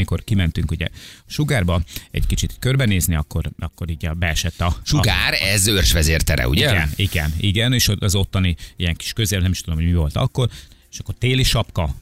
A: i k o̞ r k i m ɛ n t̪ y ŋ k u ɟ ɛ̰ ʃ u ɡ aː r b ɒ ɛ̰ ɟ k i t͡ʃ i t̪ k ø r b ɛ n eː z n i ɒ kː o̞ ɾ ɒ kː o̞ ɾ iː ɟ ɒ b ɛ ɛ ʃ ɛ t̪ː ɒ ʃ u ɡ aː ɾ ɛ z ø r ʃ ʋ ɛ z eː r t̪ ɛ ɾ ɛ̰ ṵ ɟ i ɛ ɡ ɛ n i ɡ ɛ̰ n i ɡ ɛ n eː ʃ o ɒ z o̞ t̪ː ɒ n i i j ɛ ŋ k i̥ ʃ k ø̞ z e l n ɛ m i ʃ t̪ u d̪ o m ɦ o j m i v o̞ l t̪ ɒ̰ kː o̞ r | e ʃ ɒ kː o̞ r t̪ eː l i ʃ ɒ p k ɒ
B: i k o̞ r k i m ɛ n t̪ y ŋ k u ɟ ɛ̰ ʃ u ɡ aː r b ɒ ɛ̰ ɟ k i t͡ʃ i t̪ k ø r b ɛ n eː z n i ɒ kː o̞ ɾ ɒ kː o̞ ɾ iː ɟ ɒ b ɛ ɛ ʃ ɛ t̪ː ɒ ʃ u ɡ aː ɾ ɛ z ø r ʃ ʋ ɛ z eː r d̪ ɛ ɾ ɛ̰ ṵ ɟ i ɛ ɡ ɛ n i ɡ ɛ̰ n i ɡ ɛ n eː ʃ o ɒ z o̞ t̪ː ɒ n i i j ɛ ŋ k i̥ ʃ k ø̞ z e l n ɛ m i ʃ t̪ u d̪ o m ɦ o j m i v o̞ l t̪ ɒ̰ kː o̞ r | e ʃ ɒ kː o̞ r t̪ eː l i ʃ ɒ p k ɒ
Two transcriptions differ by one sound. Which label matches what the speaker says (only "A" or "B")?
A